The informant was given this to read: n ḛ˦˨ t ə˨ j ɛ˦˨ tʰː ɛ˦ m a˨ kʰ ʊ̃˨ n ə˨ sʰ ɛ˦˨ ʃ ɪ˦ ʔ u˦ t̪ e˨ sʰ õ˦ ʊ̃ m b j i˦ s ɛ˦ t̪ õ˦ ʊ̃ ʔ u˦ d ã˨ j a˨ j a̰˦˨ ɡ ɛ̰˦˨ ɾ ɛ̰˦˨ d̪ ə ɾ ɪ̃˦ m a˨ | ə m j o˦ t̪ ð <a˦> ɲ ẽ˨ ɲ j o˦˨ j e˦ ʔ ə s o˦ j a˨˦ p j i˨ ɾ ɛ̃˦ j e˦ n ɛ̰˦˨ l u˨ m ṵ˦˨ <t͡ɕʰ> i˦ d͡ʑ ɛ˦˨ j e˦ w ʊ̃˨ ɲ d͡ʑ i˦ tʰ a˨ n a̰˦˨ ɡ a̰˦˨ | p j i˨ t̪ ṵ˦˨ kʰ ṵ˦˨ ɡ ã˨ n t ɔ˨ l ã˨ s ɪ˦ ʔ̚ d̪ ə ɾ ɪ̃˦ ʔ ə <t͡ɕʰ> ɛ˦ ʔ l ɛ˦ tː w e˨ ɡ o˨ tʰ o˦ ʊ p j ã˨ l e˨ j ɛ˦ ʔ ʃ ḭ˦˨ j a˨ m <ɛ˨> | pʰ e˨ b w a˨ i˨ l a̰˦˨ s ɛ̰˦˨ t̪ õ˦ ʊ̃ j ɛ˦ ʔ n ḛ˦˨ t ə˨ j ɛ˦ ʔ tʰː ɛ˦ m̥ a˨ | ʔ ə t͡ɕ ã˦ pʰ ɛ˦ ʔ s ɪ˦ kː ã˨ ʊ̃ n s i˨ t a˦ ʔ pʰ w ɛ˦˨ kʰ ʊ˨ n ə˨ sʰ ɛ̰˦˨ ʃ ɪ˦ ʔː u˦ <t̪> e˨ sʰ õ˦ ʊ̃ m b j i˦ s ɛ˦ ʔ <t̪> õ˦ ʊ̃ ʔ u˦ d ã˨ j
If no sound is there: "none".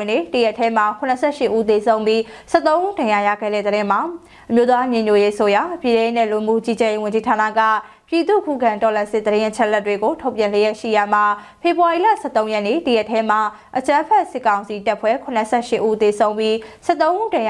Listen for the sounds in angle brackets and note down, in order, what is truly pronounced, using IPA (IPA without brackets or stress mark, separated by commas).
a˦, t͡ɕ, t͡ɕʰ, a˨, t̪, t̪